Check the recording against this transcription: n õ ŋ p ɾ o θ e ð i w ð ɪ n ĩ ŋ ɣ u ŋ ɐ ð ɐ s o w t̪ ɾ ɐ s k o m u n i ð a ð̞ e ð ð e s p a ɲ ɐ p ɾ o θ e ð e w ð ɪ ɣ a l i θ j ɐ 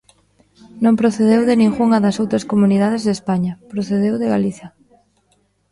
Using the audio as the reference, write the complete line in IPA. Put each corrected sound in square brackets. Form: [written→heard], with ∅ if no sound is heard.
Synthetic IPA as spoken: n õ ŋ p ɾ o θ e ð [i→e] w ð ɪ n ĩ ŋ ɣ u ŋ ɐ ð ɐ s o w t̪ ɾ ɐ s k o m u n i ð a ð̞ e [ð→z] ð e s p a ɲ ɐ p ɾ o θ e ð e w ð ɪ ɣ a l i θ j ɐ

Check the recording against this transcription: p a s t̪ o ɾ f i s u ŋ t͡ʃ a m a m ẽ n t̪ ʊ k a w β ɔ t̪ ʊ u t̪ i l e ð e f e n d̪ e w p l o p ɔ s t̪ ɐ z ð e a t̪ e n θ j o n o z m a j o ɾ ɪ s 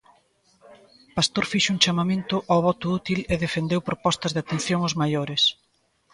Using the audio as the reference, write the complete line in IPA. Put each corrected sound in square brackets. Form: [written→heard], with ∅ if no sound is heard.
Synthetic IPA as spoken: p a s t̪ o ɾ f i [s→ʃ] u ŋ t͡ʃ a m a m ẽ n t̪ ʊ [k→ʔ] a w β ɔ t̪ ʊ u t̪ i l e ð e f e n d̪ e w p [l→ɾ] o p ɔ s t̪ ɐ z ð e a t̪ e n θ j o [n→ŋ] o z m a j o ɾ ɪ s

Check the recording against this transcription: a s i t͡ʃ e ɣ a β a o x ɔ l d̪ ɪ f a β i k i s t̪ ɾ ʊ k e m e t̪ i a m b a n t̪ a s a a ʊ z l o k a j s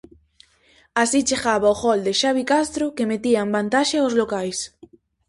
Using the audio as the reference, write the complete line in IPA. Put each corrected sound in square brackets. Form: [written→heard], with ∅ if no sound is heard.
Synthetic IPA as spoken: a s i t͡ʃ e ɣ a β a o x ɔ l d̪ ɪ [f→ʃ] a β i k [i→a] s t̪ ɾ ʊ k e m e t̪ i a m b a n t̪ a [s→ʃ] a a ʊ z l o k a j s

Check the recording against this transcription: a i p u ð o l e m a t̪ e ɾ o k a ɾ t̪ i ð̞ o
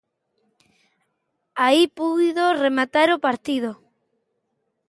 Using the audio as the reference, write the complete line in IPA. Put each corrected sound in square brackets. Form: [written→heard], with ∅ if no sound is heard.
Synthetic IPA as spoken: a i p u ð o [l→r] e m a t̪ [e→a] ɾ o [k→p] a ɾ t̪ i ð̞ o

